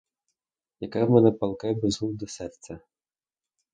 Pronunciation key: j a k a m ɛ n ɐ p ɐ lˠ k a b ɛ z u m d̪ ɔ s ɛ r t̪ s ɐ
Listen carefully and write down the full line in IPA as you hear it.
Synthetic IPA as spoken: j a k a m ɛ n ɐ p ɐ lˠ k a b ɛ z u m d̪ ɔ s ɛ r t̪ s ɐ